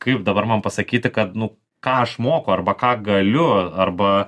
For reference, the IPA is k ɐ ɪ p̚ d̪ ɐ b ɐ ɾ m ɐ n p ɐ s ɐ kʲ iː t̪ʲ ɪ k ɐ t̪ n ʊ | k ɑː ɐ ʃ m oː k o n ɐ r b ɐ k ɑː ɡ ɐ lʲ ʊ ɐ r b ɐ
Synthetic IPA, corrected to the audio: k ɐ ɪ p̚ d̪ ɐ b ɐ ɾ m ɐ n p ɐ s ɐ kʲ iː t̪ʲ ɪ k ɐ t̪ n ʊ | k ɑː ɐ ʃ m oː k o ɐ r b ɐ k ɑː ɡ ɐ lʲ ʊ ɐ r b ɐ